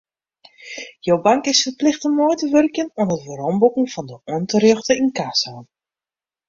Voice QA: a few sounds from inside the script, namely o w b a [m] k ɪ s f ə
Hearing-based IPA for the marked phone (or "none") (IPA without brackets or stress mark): ŋ